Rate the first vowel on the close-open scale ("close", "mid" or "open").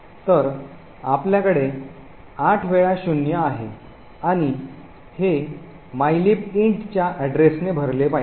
mid